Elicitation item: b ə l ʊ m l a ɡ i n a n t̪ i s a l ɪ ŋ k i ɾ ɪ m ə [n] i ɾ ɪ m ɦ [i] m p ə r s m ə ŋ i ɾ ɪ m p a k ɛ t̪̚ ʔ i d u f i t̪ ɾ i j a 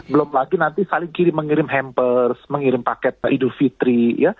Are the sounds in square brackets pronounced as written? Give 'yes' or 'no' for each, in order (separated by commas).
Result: no, no